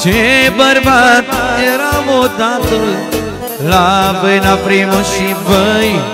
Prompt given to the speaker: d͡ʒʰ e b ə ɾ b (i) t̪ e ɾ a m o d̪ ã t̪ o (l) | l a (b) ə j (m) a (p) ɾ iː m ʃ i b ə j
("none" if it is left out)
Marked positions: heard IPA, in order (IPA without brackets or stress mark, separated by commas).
a, l, b, n, p